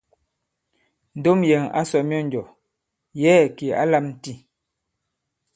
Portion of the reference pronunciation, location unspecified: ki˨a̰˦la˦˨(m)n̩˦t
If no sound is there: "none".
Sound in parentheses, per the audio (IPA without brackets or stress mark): m